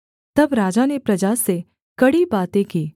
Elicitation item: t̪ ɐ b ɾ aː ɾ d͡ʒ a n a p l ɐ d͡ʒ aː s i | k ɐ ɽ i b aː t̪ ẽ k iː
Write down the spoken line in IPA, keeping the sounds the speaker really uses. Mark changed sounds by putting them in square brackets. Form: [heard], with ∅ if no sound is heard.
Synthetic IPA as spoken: t̪ ɐ b ɾ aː [∅] d͡ʒ a n [e] p [ɾ] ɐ d͡ʒ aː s [e] | k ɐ ɽ i b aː t̪ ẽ k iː